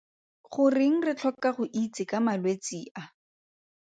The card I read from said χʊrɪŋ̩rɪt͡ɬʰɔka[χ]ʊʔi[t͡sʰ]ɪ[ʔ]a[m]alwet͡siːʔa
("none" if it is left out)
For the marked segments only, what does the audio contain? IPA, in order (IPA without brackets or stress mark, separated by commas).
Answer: χ, t͡s, k, m